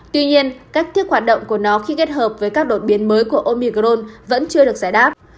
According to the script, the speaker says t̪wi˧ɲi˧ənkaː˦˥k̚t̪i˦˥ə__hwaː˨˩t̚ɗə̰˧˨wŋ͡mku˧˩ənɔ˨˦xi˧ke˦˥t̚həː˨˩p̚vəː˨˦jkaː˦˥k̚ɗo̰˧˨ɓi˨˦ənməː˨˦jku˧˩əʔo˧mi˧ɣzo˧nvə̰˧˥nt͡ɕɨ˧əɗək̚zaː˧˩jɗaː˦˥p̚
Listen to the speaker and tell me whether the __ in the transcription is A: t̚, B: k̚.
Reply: B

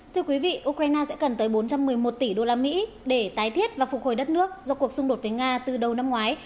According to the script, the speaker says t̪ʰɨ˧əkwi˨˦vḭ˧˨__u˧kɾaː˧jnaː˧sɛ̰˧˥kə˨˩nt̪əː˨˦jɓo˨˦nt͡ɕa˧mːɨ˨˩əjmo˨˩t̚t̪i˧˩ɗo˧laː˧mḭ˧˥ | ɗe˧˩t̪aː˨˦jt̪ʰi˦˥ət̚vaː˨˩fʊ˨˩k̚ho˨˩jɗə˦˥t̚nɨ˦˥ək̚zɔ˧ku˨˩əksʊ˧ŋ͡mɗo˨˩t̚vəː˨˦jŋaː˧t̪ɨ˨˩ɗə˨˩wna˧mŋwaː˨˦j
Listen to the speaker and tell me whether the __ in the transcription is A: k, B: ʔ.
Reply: B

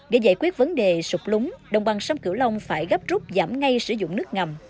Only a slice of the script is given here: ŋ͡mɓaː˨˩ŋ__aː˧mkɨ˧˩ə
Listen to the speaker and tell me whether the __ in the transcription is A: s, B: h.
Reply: A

